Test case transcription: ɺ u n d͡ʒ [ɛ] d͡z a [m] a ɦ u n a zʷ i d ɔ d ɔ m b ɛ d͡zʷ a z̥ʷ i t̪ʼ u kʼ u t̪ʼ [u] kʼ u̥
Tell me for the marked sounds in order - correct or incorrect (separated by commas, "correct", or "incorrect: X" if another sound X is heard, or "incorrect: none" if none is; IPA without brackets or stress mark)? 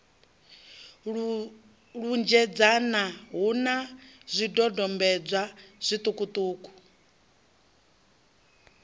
correct, incorrect: n, incorrect: uː